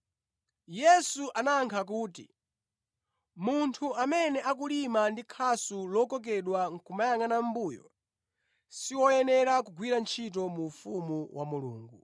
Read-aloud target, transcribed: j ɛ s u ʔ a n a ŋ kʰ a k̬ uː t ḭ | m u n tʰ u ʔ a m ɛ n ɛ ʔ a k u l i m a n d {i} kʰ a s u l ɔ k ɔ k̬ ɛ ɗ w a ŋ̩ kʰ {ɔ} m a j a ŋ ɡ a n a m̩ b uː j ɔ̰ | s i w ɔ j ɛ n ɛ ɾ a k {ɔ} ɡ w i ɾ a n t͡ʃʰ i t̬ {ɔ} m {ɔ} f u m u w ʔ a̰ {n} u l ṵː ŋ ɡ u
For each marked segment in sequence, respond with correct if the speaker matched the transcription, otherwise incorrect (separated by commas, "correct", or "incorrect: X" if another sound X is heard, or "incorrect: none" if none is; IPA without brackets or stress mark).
correct, incorrect: u, incorrect: u, correct, incorrect: u, incorrect: m